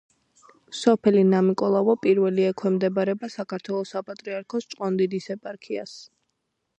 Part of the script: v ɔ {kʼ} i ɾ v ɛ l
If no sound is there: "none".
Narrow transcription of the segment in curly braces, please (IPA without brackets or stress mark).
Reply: pʼ